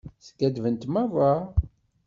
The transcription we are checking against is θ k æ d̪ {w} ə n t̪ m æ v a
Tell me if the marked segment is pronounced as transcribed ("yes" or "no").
no